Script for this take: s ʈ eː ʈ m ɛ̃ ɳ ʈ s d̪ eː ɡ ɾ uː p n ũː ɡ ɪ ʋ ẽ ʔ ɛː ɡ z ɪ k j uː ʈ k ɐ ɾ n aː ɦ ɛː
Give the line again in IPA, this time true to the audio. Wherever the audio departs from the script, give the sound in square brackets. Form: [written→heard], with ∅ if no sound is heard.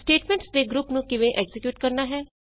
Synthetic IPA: s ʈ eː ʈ m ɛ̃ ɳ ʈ s d̪ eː ɡ ɾ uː p n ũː [ɡ→k] ɪ ʋ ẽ ʔ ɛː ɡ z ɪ k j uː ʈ k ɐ ɾ n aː ɦ ɛː